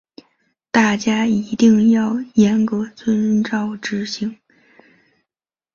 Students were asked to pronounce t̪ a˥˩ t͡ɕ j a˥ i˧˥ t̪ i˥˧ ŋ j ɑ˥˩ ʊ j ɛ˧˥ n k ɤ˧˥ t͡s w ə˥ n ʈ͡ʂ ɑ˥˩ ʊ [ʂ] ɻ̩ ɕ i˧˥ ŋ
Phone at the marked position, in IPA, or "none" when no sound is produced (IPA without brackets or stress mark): ʈ͡ʂ